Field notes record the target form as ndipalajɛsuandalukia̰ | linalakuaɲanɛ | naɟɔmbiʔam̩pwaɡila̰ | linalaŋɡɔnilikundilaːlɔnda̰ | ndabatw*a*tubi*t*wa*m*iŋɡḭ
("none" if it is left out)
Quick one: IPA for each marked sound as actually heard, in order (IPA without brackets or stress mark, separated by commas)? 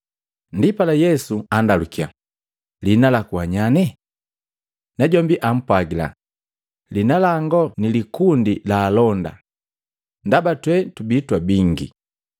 ɛ, t, b